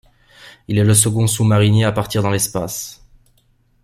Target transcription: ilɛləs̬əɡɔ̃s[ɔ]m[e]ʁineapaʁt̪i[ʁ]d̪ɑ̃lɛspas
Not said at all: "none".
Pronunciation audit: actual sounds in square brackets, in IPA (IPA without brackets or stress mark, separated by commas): u, a, ʁ